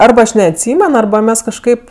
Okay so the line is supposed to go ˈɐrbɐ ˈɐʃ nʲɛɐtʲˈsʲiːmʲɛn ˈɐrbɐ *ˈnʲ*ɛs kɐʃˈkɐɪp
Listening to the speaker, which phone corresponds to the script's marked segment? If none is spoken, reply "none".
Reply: mʲ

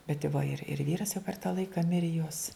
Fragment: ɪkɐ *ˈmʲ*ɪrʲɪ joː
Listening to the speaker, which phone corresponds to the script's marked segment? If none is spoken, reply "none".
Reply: mʲ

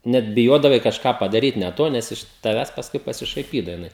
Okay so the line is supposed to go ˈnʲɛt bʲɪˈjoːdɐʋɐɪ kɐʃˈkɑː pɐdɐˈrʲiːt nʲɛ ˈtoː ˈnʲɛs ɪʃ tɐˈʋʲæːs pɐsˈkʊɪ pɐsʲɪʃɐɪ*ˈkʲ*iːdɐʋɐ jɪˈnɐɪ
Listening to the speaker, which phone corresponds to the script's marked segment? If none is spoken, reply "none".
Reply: pʲ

